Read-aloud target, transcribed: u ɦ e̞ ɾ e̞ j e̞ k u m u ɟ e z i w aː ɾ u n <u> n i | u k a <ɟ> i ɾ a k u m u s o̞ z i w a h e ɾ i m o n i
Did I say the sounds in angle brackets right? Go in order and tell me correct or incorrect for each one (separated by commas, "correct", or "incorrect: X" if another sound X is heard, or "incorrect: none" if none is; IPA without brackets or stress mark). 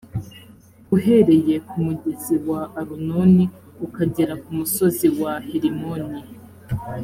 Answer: incorrect: o, correct